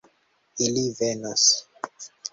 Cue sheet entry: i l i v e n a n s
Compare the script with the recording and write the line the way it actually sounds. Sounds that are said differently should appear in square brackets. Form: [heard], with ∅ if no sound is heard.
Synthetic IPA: i l i v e n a [∅] s